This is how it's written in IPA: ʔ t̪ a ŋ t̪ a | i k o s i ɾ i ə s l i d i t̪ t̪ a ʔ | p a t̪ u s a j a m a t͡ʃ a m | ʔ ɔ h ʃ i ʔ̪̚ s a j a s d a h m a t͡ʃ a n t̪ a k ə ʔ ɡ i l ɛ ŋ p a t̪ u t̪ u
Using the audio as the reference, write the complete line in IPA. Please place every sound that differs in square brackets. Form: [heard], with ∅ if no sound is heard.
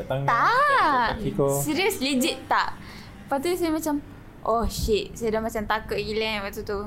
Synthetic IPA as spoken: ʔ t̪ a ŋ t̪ a | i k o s i ɾ i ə s l i [d͡ʒ] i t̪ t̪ a ʔ | p a t̪ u s a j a m a t͡ʃ a m | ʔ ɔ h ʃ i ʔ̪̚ s a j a [∅] d a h m a t͡ʃ a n t̪ a k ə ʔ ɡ i l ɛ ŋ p a t̪ u t̪ u